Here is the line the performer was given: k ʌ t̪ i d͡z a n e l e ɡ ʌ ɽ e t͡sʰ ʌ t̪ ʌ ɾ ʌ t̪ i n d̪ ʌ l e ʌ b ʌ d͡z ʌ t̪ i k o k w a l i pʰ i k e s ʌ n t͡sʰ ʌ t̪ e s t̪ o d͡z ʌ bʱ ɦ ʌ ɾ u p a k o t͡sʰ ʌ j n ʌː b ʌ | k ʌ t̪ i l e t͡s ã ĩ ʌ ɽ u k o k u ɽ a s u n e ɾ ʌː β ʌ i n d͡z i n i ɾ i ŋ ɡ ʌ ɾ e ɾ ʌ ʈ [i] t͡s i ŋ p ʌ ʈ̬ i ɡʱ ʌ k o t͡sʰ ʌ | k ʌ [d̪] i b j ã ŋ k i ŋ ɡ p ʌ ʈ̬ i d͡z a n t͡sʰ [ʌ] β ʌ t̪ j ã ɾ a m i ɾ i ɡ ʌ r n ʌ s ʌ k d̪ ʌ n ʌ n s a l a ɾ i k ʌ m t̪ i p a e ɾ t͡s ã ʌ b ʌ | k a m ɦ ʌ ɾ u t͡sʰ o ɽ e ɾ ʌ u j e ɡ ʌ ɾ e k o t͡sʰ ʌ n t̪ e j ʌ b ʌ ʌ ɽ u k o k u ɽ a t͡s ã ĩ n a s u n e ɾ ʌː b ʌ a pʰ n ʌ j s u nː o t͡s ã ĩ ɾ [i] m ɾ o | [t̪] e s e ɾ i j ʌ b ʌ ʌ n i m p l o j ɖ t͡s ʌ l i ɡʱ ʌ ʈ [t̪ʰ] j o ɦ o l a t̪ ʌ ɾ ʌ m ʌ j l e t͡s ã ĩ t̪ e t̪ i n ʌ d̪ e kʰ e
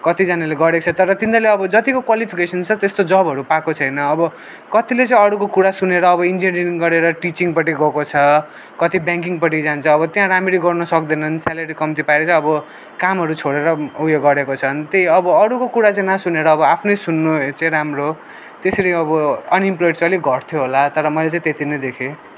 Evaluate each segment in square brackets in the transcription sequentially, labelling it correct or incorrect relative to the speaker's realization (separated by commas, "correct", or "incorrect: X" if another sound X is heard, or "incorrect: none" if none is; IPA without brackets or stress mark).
correct, incorrect: t̪, incorrect: ʌː, incorrect: a, correct, correct